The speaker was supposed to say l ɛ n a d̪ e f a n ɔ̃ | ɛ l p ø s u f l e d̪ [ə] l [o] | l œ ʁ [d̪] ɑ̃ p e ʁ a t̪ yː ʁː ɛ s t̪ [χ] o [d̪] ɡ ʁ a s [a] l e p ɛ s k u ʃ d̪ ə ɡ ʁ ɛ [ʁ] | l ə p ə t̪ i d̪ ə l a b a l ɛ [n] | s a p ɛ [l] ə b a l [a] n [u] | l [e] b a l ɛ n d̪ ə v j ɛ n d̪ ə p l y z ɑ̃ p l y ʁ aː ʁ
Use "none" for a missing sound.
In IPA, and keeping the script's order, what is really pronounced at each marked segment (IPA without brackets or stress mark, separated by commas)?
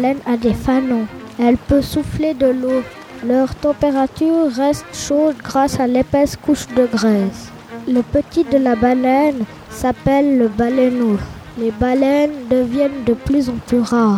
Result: ə, o, t̪, ʃ, d̪, a, z, n, lː, ɛ, o, e